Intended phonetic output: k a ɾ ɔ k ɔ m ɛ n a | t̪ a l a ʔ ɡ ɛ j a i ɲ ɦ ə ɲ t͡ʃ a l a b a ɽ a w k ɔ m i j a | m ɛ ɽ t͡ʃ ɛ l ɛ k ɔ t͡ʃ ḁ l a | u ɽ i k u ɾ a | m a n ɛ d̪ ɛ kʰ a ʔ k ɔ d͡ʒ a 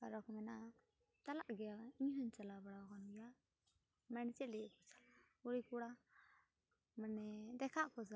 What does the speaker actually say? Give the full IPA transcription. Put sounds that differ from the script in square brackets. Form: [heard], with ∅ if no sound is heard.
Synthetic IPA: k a ɾ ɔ k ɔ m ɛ n a | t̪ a l a ʔ ɡ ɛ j a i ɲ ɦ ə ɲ t͡ʃ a l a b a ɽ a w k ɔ [n] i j a | m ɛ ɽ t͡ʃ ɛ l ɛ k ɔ t͡ʃ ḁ l a | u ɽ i k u [ɽ] a | m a n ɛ d̪ ɛ kʰ a ʔ k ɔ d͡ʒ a